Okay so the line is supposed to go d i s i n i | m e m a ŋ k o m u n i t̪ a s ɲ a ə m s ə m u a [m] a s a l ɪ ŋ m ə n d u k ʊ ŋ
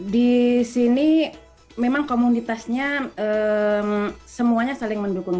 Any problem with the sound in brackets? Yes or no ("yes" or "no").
yes